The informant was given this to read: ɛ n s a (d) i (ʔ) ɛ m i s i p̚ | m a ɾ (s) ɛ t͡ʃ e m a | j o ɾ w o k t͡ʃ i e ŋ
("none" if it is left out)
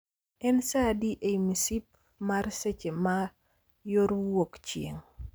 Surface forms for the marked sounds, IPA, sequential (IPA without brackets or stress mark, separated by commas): d, ʔ, s